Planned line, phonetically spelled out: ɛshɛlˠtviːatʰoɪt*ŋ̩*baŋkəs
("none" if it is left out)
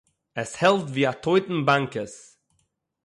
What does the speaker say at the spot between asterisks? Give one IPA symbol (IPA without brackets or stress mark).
n̩